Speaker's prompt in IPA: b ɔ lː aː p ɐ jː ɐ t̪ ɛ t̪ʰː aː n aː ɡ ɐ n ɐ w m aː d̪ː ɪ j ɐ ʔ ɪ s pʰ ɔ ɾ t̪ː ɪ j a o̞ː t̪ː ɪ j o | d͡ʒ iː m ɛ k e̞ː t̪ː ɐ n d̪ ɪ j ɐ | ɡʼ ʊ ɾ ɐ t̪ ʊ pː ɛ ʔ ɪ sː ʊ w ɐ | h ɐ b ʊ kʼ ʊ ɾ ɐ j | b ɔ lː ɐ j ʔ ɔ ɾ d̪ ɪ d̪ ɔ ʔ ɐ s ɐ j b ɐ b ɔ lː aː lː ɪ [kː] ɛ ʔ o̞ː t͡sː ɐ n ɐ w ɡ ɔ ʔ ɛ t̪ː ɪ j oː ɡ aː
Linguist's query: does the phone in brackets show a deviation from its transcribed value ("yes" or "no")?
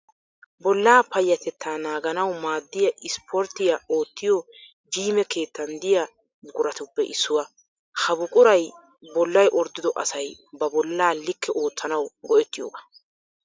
no